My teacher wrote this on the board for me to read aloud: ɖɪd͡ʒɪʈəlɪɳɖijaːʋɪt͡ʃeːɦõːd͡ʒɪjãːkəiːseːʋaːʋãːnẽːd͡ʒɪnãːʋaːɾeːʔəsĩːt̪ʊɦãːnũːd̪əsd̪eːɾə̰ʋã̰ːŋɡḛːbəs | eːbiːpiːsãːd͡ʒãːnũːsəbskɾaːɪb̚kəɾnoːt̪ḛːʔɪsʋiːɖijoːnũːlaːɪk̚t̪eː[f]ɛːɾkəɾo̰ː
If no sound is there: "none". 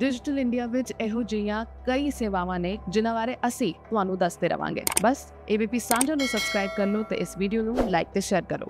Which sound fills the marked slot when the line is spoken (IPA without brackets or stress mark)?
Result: ʃ